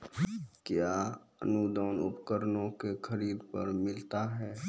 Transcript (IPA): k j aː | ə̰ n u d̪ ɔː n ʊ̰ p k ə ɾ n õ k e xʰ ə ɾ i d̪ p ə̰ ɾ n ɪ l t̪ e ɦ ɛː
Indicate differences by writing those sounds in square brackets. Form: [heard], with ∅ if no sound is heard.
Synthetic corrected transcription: k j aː | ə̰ n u d̪ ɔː n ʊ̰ p k ə ɾ n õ k e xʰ ə ɾ [iː] d̪ p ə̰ ɾ [m] ɪ l t̪ [a] ɦ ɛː